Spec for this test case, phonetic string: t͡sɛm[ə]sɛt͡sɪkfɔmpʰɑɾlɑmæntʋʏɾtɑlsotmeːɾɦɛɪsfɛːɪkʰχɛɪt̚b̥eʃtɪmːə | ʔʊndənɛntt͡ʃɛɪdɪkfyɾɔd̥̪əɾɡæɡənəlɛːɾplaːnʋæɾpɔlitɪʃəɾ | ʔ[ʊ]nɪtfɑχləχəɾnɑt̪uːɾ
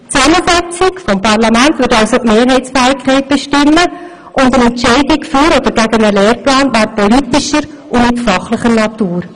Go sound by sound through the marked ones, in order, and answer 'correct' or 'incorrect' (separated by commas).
correct, correct